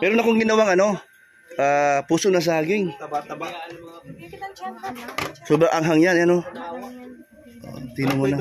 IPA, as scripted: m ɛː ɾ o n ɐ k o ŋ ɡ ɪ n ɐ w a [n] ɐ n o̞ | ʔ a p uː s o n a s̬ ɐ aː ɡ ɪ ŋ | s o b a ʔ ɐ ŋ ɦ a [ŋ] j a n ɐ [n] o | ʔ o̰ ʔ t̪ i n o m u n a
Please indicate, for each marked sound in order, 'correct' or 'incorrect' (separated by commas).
incorrect, correct, correct